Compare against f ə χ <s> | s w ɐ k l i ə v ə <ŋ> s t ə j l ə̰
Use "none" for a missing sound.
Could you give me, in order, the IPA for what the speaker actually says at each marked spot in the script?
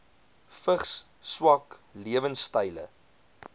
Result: s, n

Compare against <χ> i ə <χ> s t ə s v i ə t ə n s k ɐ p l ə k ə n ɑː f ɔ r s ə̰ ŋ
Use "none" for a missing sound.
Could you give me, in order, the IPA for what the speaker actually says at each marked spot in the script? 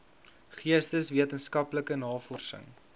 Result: χ, none

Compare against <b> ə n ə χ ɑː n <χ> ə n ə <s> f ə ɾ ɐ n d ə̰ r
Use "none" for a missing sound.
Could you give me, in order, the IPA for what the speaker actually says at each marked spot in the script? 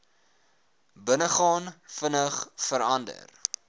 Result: b, f, χ

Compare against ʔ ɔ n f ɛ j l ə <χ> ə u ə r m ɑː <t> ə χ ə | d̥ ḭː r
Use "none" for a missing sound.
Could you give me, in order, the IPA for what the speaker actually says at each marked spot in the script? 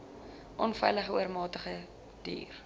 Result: χ, t

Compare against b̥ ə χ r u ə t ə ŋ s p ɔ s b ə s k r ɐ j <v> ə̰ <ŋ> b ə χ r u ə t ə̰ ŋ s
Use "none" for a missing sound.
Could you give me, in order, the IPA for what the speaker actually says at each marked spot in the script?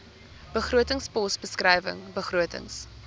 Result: v, ŋ

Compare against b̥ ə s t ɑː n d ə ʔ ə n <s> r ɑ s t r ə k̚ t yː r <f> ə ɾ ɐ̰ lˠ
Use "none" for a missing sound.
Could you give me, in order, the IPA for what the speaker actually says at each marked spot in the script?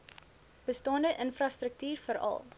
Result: f, f

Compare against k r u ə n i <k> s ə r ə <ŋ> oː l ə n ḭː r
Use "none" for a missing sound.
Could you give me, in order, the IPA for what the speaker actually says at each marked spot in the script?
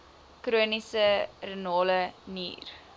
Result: none, n

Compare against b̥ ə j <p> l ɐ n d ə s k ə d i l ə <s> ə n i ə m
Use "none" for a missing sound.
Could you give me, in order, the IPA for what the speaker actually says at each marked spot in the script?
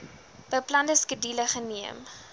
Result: p, χ

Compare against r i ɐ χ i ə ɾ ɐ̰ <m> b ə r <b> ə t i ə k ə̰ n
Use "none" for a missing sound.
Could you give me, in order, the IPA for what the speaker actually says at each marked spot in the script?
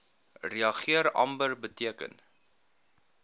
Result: m, b

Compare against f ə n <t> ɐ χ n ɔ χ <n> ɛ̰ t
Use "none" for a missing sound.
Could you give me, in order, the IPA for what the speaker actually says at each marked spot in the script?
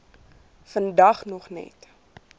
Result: d, n

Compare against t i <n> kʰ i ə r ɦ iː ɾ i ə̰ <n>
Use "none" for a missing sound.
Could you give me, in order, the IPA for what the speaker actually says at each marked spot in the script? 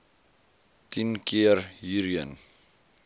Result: n, n

